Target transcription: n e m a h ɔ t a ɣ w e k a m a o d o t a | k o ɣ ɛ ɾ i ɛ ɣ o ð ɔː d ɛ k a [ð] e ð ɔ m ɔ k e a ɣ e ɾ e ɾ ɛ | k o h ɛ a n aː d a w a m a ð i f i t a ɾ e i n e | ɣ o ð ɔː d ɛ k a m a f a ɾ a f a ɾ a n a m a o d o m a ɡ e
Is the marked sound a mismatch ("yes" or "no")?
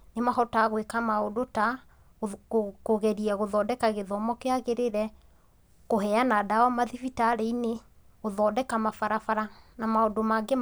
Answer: yes